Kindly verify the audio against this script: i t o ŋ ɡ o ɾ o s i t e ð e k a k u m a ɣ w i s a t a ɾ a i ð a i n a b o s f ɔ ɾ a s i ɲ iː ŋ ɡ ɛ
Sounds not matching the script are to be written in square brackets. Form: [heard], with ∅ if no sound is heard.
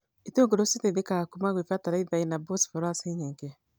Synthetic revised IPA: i t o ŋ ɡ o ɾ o s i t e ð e k a k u m a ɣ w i [f] a t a ɾ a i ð a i n a b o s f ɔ ɾ a s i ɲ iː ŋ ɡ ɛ